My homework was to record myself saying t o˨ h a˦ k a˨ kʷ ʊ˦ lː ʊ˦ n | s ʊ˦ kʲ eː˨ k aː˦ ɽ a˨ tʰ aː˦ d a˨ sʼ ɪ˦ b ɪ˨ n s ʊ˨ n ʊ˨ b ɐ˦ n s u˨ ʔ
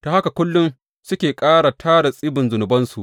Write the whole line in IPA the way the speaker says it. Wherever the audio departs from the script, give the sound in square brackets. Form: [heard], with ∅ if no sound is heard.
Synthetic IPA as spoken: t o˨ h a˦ k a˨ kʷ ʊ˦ lː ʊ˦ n | s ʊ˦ kʲ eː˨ [kʼ] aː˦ ɽ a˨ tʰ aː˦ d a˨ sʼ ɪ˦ b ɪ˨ n [z] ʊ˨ n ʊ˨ b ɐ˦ n s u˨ ʔ